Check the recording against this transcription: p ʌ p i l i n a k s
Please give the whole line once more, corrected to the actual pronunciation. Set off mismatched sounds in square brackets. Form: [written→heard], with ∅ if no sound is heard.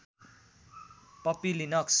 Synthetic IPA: p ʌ p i l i n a k s